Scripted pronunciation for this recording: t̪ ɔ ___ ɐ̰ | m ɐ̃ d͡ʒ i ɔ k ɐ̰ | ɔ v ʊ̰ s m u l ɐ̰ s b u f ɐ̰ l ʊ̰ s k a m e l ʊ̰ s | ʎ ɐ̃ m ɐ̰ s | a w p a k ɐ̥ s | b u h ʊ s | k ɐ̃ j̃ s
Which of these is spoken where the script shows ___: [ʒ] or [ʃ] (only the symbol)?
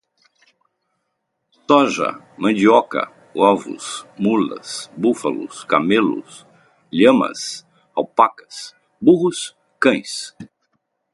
ʒ